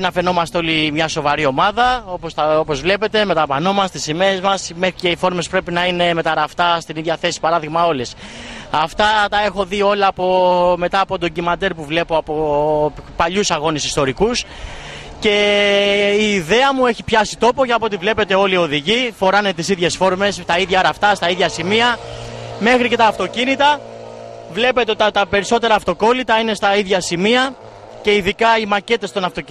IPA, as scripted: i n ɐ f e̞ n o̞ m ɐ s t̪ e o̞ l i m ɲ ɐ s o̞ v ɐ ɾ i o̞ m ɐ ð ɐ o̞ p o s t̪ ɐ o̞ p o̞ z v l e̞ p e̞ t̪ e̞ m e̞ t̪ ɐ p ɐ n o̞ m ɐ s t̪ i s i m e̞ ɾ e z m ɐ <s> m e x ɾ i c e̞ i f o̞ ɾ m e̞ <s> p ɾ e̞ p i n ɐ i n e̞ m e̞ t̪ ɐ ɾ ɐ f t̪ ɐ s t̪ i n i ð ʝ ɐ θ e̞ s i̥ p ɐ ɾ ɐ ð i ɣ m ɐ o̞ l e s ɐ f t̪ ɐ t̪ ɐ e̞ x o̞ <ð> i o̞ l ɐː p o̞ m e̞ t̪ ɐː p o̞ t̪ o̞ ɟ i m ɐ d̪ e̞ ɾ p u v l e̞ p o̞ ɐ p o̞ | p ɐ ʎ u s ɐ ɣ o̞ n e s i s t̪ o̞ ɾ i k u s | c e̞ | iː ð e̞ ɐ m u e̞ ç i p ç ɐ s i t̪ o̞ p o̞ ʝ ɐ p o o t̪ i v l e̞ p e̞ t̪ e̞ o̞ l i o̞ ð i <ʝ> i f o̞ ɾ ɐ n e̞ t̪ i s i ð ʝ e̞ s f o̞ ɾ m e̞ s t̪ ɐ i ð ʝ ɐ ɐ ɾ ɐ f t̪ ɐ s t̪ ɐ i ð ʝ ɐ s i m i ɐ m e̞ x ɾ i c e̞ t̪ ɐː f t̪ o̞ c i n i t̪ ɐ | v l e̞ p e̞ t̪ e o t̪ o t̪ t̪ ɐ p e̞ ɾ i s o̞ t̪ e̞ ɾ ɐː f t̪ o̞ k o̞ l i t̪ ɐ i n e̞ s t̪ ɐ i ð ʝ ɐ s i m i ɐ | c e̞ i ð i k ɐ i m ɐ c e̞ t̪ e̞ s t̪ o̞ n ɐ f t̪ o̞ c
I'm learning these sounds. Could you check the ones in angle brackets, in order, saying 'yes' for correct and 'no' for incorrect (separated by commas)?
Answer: yes, yes, yes, yes